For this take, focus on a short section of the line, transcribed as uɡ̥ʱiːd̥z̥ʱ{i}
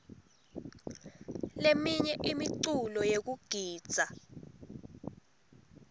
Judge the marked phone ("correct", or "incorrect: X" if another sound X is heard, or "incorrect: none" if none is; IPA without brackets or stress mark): incorrect: a